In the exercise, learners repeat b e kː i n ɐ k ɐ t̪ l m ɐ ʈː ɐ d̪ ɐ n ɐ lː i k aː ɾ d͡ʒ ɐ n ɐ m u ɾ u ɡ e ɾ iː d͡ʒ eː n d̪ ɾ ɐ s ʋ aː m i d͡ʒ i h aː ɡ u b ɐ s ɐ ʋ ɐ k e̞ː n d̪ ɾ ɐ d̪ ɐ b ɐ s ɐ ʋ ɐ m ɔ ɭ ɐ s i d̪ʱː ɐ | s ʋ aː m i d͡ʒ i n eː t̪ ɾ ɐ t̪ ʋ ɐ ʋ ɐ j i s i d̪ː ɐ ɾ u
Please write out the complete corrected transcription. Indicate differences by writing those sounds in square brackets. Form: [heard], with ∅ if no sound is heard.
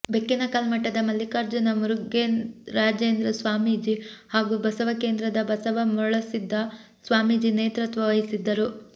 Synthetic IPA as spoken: b e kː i n ɐ k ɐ [∅] l m ɐ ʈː ɐ d̪ ɐ [m] ɐ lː i k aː ɾ d͡ʒ ɐ n ɐ m u ɾ u ɡ e ɾ [aː] d͡ʒ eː n d̪ ɾ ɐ s ʋ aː m i d͡ʒ i h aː ɡ u b ɐ s ɐ ʋ ɐ k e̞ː n d̪ ɾ ɐ d̪ ɐ b ɐ s ɐ ʋ ɐ m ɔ ɭ ɐ s i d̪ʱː ɐ | s ʋ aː m i d͡ʒ i n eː t̪ ɾ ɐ t̪ ʋ ɐ ʋ ɐ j i s i d̪ː ɐ ɾ u